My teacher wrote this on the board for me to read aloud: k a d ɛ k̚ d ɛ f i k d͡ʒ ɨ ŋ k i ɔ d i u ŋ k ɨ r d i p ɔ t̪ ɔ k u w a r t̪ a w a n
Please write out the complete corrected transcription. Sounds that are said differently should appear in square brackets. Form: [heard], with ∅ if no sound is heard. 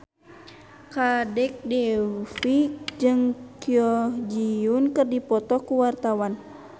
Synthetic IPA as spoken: k a d ɛ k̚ d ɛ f i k d͡ʒ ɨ ŋ k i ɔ [d͡ʒ] i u [n] k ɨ r d i p ɔ t̪ ɔ k u w a r t̪ a w a n